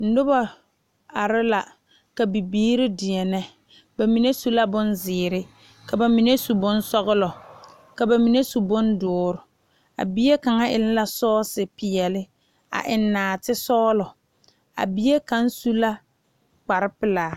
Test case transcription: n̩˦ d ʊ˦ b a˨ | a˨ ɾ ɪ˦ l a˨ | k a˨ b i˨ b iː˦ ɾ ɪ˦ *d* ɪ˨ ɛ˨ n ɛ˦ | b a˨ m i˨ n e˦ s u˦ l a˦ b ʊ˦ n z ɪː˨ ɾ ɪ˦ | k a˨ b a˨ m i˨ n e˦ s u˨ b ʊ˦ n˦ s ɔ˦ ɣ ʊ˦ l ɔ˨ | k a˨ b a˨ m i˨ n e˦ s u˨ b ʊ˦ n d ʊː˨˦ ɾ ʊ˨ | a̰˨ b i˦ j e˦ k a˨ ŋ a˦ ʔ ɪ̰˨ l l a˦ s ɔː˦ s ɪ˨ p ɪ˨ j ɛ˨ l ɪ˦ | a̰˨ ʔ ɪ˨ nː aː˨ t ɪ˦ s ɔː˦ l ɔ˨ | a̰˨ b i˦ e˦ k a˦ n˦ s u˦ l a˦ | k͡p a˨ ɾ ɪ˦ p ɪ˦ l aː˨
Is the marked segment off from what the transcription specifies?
no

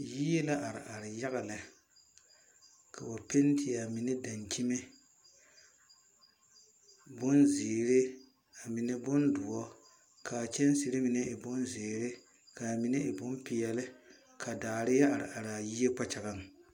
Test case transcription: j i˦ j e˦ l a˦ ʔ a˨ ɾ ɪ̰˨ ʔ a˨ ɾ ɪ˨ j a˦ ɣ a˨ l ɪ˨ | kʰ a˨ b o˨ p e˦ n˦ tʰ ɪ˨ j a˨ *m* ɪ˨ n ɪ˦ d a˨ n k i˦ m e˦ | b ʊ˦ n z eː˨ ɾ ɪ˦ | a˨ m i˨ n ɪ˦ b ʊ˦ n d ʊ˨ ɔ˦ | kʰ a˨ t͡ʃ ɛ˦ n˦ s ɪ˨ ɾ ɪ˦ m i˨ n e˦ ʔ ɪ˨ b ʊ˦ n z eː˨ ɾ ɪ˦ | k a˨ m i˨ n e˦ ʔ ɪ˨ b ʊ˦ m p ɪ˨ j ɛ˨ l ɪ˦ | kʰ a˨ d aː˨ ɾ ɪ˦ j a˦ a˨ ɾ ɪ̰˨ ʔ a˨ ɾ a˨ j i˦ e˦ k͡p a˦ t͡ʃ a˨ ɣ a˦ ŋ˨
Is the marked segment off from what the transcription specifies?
no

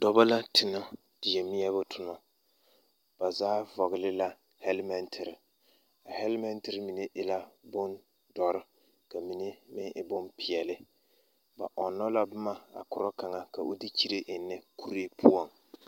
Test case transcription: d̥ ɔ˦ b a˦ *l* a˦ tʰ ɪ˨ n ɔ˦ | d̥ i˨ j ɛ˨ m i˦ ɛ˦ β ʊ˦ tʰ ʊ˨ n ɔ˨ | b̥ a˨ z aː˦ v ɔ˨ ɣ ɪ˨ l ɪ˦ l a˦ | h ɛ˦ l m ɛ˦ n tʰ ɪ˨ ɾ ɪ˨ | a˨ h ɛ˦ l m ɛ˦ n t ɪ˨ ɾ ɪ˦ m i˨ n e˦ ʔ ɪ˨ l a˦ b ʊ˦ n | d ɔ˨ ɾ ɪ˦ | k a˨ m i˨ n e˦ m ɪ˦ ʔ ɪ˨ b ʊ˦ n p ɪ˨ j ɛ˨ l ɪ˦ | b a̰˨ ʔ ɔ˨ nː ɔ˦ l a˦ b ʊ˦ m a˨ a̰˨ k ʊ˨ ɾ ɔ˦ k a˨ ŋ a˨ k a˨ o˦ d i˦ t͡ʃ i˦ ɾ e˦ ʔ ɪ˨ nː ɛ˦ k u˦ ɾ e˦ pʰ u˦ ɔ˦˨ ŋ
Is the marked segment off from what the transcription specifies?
no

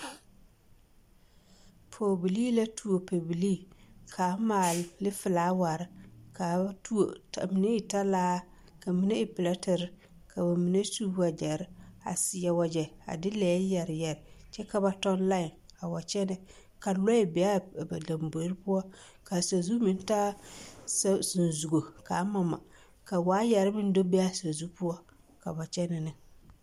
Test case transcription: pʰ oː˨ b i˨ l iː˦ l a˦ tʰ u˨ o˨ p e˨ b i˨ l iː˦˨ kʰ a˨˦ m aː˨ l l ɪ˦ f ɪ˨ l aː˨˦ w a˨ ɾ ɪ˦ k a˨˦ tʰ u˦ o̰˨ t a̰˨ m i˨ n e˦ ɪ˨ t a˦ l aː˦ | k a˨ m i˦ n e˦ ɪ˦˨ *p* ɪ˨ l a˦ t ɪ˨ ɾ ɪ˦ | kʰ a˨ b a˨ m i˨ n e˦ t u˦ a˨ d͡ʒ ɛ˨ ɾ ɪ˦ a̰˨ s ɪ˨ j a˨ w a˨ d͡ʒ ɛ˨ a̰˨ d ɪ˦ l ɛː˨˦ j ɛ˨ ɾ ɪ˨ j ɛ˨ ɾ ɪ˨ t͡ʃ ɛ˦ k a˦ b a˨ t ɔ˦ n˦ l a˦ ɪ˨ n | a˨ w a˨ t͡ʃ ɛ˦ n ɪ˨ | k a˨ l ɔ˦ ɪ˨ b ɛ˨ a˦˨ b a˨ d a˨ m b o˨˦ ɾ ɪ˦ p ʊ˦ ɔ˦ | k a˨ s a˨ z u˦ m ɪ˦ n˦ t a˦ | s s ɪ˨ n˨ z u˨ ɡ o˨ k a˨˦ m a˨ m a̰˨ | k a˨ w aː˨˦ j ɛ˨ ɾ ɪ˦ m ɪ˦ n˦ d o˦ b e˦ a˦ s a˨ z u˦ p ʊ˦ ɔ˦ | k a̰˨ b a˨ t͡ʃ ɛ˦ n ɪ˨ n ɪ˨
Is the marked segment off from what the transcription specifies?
no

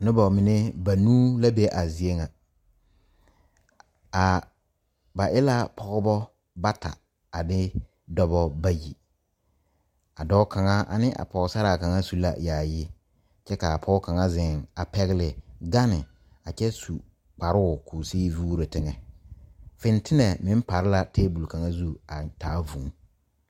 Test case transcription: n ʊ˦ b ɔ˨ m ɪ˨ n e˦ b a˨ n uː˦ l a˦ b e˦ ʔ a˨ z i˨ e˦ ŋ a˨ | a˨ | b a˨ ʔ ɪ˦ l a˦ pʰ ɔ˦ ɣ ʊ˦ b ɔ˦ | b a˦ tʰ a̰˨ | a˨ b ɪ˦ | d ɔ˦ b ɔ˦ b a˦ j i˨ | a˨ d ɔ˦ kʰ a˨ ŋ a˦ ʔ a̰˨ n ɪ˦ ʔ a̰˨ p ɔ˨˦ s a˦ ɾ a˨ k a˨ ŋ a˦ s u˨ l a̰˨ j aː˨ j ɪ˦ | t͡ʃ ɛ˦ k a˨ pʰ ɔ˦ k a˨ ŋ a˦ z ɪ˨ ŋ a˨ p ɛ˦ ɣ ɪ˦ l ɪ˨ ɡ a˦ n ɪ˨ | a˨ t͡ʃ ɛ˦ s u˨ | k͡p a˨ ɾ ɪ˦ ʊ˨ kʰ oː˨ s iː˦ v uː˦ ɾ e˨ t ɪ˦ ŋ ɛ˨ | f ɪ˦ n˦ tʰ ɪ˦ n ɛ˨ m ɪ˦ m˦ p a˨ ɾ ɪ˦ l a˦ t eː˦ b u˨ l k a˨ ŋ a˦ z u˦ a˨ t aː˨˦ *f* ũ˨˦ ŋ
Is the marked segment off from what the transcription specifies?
yes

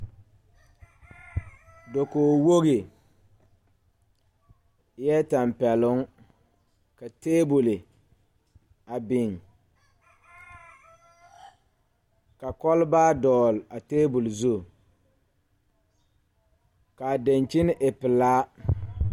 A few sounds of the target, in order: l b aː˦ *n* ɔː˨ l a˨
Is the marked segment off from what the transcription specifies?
yes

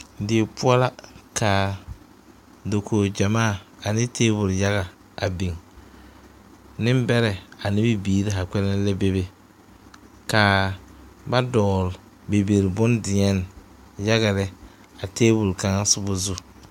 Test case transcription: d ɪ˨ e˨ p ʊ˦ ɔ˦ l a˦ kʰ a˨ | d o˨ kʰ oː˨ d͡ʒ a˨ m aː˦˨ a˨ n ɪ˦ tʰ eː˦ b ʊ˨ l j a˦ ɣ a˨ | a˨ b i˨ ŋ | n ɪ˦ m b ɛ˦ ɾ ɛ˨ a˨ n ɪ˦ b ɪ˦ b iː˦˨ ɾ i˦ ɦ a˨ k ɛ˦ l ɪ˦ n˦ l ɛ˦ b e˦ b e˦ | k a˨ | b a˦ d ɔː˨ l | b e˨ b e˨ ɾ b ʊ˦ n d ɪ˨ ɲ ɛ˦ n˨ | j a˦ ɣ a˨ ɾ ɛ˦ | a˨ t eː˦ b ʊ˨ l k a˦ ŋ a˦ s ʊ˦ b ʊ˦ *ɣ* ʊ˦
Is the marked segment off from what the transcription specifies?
yes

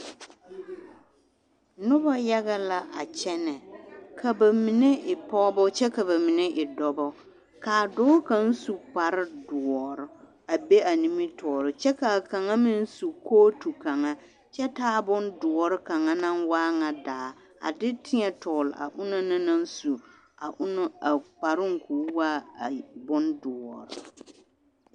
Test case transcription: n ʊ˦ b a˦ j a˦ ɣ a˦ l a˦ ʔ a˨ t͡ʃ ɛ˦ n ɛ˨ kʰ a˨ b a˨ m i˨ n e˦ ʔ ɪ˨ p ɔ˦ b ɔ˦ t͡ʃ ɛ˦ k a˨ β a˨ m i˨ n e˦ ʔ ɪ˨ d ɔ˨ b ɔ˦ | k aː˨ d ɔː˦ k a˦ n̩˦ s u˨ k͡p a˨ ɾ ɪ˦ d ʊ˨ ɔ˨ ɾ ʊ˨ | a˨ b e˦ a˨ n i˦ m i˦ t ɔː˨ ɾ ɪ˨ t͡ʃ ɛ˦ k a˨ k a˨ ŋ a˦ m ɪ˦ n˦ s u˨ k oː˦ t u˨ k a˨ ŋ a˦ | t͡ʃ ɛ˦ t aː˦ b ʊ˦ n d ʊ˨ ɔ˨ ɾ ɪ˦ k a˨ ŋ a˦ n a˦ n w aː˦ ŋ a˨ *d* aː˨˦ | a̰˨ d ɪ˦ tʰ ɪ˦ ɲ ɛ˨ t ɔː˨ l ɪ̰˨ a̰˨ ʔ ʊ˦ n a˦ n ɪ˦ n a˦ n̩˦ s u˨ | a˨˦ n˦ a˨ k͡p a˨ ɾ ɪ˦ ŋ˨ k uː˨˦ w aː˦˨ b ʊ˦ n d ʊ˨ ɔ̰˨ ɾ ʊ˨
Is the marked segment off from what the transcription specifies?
no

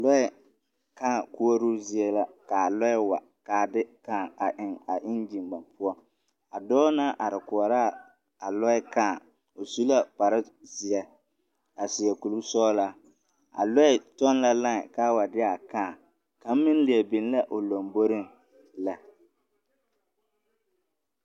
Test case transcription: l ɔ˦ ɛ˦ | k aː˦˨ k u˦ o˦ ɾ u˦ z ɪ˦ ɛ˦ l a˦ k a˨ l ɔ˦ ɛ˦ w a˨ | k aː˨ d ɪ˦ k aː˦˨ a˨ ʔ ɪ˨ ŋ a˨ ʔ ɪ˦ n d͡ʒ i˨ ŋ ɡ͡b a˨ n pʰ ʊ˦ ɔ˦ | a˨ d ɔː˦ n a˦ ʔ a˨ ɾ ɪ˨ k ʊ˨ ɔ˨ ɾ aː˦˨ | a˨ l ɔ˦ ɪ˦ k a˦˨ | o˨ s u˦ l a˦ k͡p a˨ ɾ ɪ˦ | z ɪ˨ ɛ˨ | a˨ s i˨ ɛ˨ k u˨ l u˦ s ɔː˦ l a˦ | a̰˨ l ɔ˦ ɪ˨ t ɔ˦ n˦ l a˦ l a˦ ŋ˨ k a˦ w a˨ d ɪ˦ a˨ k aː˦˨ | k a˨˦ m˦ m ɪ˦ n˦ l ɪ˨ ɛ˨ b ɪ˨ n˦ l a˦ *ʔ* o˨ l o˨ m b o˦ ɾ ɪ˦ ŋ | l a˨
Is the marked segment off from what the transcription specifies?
no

